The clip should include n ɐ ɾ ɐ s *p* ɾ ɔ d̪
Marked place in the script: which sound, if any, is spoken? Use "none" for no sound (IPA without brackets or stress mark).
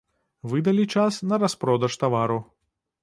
p